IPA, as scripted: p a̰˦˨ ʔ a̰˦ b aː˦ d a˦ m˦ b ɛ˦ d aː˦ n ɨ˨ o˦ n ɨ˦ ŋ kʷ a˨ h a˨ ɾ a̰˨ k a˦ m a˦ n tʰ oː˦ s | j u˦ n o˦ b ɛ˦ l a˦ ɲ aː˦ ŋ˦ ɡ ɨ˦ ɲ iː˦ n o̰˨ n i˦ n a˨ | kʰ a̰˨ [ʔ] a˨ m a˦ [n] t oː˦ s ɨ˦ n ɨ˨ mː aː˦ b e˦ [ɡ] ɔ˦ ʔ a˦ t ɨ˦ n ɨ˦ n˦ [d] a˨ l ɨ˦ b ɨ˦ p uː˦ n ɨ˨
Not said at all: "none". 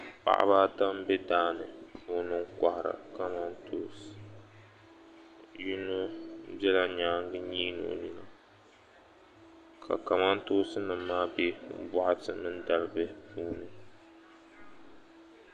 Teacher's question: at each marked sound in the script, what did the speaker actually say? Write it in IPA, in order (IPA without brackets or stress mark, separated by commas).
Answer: k, n, b, d